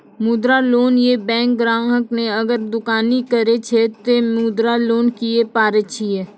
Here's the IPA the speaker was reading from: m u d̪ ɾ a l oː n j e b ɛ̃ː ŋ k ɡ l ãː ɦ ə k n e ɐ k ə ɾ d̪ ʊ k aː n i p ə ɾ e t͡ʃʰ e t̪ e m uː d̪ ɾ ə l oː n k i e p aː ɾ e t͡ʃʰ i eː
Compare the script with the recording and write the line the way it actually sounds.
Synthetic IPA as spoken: m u d̪ ɾ a l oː n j e b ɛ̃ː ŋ k ɡ ɾ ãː ɦ ə k n e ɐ ɡ ə ɾ d̪ ʊ k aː n i k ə ɾ e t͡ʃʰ e t̪ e m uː d̪ ɾ a l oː n k i e p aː ɾ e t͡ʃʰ i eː

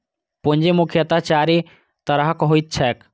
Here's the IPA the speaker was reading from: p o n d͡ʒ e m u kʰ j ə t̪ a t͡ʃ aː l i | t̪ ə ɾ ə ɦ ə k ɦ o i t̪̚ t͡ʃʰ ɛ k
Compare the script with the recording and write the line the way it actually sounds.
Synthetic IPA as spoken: p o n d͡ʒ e m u kʰ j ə t̪ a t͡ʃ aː ɾ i | t̪ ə ɾ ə ɦ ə k ɦ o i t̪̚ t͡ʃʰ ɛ k

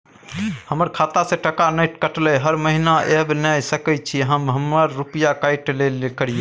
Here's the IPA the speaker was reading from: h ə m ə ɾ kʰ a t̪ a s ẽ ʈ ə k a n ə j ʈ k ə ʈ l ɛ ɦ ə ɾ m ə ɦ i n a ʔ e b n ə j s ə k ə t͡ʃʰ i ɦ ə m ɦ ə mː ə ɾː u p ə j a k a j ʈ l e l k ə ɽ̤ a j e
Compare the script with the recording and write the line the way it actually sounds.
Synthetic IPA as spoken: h ə m ə ɾ kʰ a t̪ a s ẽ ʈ ə k a n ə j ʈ k ə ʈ l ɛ ɦ ə ɾ m ə ɦ i n a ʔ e b n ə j s ə k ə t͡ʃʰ i ɦ ə m ɦ ə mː ə ɾː u p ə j a k a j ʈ l e l k ə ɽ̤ i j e

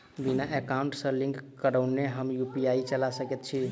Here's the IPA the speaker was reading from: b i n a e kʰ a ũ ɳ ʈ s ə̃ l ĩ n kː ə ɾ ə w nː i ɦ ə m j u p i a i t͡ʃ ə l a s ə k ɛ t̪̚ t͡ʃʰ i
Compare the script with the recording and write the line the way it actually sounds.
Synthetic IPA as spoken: b i n a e k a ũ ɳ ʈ s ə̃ l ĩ ŋ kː ə ɾ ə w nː e ɦ ə m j u p i a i t͡ʃ ə l a s ə k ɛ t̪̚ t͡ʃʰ i

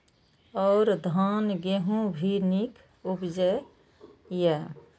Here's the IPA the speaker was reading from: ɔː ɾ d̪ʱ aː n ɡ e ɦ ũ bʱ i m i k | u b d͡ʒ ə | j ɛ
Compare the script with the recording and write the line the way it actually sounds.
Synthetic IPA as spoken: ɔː ɾ d̪ʱ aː n ɡ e ɦ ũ bʱ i n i k | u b d͡ʒ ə | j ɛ

